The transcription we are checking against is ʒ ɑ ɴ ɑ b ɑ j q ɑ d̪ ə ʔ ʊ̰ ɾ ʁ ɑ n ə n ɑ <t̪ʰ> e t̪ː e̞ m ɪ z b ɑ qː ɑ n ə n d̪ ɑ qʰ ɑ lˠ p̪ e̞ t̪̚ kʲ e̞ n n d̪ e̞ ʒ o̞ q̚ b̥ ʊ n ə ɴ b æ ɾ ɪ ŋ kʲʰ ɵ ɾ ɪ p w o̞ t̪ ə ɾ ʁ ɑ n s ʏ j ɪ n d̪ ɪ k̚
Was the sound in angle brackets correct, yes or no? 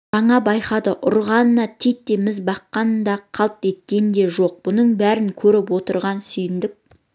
yes